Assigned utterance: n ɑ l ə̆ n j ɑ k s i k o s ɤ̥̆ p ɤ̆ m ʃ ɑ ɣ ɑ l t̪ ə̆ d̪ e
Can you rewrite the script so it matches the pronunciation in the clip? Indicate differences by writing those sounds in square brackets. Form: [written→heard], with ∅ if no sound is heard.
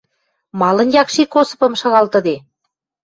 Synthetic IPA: [n→m] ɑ l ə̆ n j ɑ k [s→ʃ] i k o s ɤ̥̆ p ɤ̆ m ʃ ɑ ɣ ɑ l t̪ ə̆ d̪ e